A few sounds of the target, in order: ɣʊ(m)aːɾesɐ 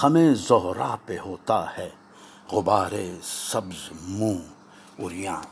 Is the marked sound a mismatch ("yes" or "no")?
yes